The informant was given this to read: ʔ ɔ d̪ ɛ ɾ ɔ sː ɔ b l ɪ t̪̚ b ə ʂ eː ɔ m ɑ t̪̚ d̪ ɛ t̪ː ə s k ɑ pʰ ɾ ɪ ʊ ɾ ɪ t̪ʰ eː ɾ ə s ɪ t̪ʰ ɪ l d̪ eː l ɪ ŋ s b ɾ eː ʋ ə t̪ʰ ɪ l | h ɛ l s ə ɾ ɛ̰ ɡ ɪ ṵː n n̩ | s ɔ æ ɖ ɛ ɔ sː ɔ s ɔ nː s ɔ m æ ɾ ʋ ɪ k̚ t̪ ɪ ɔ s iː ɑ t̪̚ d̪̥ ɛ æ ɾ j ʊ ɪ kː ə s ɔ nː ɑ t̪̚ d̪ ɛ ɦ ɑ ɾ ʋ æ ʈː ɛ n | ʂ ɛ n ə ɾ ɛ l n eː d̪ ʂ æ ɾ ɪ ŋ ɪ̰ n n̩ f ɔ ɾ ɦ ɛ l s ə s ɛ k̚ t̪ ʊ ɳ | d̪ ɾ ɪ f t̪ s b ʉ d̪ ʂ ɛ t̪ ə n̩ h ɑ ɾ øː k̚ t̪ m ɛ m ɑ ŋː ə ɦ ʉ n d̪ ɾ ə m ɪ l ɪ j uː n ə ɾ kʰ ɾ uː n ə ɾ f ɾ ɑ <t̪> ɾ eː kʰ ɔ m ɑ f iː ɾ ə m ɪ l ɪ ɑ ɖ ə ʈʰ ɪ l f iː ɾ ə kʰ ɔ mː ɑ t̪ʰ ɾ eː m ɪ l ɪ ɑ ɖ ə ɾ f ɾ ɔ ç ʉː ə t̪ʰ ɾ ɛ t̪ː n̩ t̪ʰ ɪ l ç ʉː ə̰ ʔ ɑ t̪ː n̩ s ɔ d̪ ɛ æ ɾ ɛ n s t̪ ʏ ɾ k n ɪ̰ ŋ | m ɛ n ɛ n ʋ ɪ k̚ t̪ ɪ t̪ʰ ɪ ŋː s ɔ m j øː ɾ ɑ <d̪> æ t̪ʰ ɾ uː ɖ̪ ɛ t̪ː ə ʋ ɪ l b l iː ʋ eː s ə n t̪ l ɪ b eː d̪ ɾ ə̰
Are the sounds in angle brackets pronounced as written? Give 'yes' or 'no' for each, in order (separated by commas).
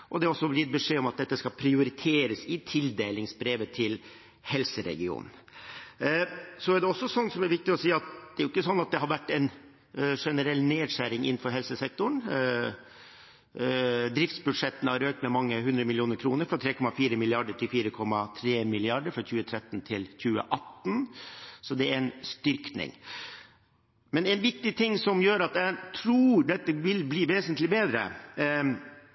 no, no